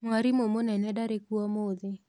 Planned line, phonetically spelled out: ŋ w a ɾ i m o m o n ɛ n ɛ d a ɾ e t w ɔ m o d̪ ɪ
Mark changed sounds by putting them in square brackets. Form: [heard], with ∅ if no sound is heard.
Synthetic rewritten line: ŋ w a ɾ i m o m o n ɛ n ɛ d a ɾ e [k] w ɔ m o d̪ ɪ